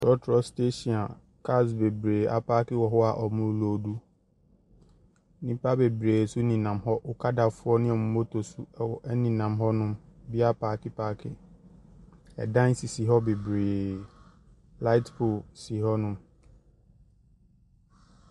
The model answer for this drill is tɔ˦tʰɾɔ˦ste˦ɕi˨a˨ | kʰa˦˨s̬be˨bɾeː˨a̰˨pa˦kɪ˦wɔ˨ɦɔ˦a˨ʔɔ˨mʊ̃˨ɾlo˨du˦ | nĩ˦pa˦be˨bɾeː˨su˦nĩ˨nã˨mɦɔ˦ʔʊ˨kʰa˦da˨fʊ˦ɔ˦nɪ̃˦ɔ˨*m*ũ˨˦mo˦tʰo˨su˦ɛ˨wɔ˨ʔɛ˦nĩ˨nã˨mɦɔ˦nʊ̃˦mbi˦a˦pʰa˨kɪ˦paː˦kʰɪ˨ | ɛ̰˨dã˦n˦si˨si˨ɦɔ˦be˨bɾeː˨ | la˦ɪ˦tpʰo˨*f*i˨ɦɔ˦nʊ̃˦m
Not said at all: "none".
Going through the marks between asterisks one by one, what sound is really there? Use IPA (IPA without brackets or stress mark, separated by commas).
m, s